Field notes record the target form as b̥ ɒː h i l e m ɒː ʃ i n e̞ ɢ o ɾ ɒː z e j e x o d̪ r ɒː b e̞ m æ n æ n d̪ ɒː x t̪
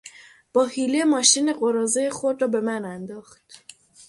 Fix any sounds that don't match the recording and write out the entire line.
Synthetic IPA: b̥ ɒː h i l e m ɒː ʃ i n e̞ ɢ o ɾ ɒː z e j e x o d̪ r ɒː b e̞ m æ n æ n d̪ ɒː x t̪